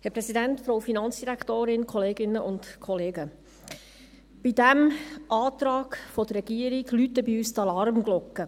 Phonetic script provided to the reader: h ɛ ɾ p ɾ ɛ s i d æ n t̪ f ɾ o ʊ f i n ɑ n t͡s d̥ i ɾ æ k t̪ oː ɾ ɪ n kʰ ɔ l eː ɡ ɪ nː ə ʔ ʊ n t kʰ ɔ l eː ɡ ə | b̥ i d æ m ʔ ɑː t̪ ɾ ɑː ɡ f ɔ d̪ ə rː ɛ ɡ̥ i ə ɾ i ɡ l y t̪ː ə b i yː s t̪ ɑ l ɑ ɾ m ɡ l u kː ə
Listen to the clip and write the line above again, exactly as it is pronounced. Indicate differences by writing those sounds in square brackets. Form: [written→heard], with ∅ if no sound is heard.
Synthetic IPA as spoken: h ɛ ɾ p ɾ ɛ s i d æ n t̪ f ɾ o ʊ f i n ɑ n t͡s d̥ i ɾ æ k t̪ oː ɾ ɪ n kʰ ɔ l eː ɡ ɪ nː ə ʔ ʊ n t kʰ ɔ l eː ɡ ə | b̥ i d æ m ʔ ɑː t̪ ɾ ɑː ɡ f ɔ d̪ ə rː ɛ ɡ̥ i ə ɾ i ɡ l y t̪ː ə b i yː s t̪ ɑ l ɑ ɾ m ɡ l [u→ɔ] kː ə